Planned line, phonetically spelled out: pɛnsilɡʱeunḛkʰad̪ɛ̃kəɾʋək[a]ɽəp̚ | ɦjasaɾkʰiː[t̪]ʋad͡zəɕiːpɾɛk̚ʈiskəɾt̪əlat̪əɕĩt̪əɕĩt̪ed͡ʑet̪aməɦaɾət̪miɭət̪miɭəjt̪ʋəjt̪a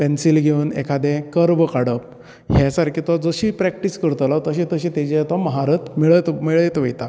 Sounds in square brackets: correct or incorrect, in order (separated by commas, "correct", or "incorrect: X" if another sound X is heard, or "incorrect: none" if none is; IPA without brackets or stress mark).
correct, correct